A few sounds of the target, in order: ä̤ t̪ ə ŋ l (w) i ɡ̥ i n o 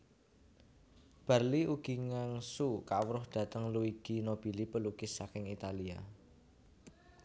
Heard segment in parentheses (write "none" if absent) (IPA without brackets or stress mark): u